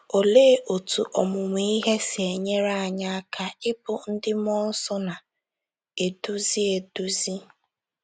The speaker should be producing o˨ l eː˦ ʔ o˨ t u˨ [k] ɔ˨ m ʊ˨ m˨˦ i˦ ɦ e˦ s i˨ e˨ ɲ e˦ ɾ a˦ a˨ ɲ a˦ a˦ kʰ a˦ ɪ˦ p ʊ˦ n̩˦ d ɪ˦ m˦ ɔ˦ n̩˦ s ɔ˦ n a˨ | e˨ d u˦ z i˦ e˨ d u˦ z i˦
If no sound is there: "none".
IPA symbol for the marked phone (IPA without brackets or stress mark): ʔ